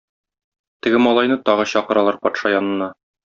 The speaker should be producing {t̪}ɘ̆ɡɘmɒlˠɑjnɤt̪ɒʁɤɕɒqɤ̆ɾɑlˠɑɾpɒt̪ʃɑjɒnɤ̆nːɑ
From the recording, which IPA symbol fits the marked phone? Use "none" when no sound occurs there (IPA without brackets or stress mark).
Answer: t̪